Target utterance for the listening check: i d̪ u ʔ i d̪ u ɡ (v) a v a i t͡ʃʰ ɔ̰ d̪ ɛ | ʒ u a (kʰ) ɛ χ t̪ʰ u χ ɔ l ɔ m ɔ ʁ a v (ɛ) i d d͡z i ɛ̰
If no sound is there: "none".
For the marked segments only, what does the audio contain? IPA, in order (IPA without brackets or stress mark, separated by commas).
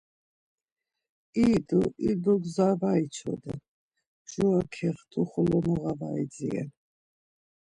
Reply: z, kʰ, a